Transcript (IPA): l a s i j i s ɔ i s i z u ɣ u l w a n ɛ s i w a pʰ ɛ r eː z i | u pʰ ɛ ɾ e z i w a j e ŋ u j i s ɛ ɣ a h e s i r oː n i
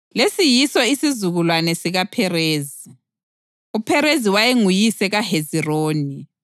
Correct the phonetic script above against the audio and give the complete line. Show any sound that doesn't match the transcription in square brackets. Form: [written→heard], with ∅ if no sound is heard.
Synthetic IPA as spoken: l [a→e] s i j i s ɔ i s i z u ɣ u l w a n ɛ s i [w→ɣ] a pʰ ɛ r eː z i | u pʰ ɛ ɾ e z i w a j e ŋ u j i s ɛ ɣ a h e [s→z] i r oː n i